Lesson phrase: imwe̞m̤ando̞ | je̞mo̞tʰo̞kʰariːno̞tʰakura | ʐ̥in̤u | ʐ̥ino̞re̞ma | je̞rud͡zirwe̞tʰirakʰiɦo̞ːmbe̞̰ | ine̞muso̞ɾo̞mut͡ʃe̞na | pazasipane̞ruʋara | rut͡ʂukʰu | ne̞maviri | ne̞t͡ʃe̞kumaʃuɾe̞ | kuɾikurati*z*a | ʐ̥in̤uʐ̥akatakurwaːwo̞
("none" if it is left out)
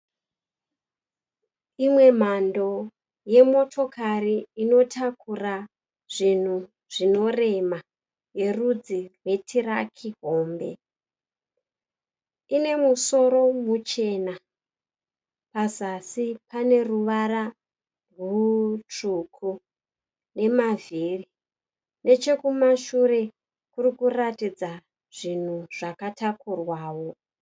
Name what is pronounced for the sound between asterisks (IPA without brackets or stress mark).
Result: d͡z